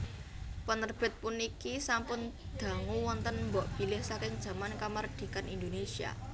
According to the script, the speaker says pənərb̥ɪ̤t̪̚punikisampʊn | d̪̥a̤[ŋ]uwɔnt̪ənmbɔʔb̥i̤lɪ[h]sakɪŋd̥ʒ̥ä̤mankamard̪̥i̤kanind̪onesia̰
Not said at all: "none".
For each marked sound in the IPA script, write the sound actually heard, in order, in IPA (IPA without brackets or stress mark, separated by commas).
ŋ, h